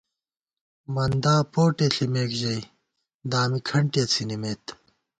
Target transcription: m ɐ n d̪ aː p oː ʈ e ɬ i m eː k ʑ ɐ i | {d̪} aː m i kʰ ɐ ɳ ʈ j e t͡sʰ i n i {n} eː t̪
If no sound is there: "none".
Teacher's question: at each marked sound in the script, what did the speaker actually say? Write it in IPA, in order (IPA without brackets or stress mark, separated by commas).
d̪, m